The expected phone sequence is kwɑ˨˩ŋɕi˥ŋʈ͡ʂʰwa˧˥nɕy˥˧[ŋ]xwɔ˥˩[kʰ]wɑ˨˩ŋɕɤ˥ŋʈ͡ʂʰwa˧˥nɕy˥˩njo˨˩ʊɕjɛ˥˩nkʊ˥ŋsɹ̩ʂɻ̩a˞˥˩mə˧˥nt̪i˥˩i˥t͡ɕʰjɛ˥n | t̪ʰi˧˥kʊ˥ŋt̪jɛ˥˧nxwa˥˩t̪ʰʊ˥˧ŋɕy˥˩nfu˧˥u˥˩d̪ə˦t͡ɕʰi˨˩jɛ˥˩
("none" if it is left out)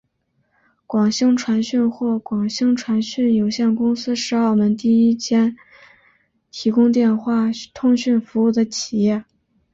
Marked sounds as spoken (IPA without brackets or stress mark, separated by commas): n, k